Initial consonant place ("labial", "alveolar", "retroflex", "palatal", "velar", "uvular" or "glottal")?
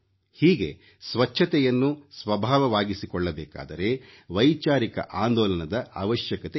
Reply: glottal